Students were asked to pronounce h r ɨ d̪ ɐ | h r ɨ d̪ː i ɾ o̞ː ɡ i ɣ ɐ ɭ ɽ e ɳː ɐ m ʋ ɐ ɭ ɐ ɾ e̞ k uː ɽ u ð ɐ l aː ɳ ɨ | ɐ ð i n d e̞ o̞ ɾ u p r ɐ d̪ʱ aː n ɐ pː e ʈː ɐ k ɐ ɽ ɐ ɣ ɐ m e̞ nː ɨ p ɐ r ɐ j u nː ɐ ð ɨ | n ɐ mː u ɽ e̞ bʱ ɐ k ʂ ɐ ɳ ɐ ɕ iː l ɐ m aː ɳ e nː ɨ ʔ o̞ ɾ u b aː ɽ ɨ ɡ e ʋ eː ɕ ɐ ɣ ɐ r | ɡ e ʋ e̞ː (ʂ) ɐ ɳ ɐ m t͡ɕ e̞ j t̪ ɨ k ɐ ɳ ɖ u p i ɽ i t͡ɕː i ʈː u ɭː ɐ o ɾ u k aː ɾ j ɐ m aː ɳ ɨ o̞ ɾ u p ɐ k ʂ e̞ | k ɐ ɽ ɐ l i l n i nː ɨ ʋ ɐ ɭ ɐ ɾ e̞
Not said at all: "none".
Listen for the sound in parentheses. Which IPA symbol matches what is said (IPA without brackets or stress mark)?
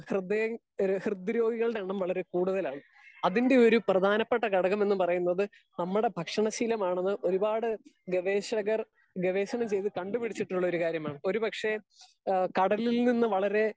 ɕ